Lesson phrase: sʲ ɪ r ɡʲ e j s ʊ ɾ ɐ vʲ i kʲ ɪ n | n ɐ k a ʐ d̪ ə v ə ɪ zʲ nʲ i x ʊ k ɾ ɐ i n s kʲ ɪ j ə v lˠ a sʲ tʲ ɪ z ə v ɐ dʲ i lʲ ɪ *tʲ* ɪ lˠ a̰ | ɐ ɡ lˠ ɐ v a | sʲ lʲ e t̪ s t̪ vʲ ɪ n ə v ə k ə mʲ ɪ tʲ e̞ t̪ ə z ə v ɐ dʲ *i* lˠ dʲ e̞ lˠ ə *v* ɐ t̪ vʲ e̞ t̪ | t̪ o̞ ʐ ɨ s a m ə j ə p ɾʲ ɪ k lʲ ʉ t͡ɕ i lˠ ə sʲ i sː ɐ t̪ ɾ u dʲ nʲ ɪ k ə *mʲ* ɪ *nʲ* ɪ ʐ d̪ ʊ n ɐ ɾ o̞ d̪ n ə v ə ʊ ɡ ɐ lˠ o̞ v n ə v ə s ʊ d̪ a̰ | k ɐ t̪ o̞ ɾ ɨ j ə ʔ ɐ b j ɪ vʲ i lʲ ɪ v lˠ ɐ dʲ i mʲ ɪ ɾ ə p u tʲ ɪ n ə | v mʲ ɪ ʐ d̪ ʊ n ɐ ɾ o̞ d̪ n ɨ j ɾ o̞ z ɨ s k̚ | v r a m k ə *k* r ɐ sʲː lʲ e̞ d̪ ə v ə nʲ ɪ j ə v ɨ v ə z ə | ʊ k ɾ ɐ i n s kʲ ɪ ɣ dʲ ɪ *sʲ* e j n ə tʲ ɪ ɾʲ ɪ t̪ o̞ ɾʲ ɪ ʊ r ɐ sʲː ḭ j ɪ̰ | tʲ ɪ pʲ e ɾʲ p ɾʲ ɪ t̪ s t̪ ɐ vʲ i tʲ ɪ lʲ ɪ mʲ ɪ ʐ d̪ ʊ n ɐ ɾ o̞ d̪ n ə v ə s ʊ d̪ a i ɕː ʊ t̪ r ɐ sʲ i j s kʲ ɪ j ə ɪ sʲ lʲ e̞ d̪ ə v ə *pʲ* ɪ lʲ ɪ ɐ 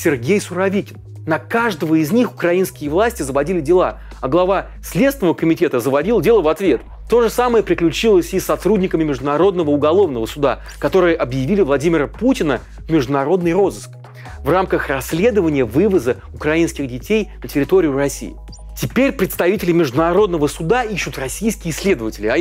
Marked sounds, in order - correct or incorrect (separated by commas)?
incorrect, correct, correct, correct, incorrect, incorrect, incorrect, incorrect